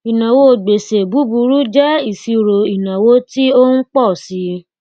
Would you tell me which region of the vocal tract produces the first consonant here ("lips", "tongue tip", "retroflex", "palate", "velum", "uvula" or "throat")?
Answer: tongue tip